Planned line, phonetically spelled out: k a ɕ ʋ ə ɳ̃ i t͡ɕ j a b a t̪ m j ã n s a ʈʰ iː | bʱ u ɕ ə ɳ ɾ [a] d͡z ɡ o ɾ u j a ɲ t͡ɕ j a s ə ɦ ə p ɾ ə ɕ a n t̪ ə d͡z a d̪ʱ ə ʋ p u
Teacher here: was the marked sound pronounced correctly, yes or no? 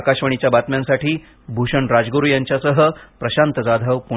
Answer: yes